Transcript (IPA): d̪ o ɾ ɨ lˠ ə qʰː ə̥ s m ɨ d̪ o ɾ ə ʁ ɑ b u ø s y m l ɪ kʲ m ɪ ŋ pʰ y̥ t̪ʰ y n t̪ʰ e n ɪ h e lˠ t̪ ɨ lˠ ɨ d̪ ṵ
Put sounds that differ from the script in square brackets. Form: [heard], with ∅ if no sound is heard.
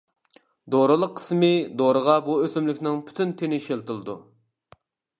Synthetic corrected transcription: d̪ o ɾ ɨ lˠ ə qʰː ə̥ s m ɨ d̪ o ɾ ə ʁ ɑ b u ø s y m l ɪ kʲ [n] ɪ ŋ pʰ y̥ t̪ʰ y n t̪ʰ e n ɪ [ʃ] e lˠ t̪ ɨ lˠ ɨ d̪ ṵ